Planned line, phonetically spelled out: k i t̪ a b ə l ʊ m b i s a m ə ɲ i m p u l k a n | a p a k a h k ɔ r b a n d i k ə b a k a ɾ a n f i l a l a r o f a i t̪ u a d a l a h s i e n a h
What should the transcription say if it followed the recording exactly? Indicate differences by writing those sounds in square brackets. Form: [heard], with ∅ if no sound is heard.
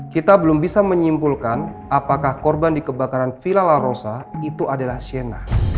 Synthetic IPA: k i t̪ a b ə l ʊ m b i s a m ə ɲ i m p u l k a n | a p a k a h k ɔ r b a n d i k ə b a k a ɾ a n f i l a l a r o [s] a i t̪ u a d a l a h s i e n a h